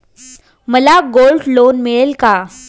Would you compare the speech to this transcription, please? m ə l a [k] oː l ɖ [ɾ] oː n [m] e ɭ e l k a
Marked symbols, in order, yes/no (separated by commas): no, no, yes